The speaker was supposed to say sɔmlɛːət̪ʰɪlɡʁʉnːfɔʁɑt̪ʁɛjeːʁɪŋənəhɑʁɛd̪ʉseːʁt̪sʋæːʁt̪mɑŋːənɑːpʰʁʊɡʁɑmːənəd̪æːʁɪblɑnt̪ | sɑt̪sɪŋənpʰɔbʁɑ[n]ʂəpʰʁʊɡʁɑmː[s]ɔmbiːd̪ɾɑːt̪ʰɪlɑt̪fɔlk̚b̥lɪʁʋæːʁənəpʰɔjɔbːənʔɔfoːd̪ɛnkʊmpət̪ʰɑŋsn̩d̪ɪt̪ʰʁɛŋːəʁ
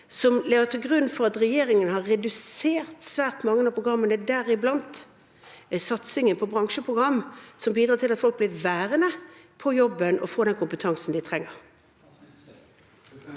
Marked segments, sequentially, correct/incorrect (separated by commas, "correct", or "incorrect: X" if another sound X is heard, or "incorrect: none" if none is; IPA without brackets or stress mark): incorrect: ŋ, correct